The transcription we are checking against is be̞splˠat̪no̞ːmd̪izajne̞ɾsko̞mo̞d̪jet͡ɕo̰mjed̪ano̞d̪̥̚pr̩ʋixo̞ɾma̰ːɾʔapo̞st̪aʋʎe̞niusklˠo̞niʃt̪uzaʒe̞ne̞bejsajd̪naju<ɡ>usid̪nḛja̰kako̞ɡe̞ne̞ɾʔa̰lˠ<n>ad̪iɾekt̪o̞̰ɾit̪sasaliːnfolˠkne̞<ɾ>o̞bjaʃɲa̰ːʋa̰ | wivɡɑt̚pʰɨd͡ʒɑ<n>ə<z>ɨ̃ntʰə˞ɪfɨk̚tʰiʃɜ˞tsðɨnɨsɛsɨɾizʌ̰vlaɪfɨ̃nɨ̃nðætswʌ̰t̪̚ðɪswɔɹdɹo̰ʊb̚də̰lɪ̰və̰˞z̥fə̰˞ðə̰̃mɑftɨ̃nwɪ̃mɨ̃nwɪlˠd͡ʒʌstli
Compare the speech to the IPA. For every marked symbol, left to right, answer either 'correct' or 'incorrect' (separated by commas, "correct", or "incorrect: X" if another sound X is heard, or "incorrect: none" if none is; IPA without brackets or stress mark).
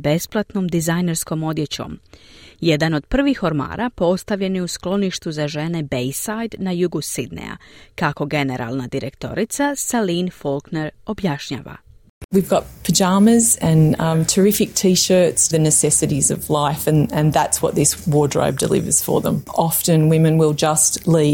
correct, correct, correct, incorrect: m, correct